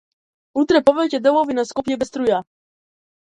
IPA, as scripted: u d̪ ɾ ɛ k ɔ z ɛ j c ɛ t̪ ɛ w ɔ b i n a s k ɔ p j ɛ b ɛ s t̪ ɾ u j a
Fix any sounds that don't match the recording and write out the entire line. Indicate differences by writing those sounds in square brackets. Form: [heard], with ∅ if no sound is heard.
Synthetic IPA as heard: u [t̪] ɾ ɛ [p] ɔ [v] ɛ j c ɛ [d̪] ɛ w ɔ [v] i n a s k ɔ p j ɛ b ɛ s t̪ ɾ u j a